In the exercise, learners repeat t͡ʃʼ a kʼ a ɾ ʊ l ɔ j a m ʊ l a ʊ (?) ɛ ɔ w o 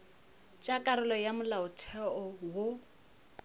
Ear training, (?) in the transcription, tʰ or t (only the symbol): tʰ